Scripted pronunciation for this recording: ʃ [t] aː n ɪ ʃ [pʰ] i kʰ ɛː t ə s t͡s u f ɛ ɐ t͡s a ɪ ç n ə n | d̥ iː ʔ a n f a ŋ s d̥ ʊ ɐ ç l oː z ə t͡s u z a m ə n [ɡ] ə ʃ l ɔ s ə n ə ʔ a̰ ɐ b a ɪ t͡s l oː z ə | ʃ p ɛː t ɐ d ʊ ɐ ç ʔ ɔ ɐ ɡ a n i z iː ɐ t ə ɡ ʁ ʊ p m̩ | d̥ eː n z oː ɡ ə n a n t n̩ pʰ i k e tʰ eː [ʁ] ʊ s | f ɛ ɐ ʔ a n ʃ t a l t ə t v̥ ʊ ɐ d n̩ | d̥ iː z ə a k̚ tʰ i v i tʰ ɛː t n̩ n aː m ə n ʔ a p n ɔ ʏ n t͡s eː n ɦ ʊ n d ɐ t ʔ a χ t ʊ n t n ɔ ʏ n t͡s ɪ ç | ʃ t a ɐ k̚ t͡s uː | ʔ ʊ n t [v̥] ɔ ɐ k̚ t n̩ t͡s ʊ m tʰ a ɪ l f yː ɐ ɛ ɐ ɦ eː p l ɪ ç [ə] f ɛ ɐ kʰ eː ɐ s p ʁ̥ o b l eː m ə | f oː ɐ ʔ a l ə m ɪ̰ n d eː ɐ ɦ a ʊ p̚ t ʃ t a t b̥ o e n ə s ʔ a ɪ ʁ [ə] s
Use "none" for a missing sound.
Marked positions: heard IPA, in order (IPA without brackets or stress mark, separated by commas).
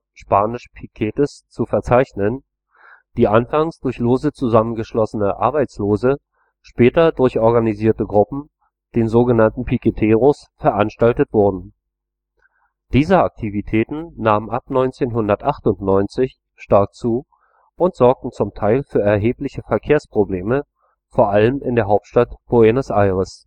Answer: p, pʰ, ɡ, ʁ, z̥, ə, ə